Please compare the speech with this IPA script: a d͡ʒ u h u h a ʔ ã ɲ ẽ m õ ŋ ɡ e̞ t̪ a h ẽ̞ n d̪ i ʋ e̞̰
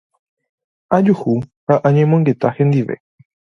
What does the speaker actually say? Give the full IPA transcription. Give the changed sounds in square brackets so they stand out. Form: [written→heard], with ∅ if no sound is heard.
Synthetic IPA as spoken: a d͡ʒ u h u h a ʔ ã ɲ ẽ m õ ŋ ɡ e̞ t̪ a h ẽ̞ n d̪ i ʋ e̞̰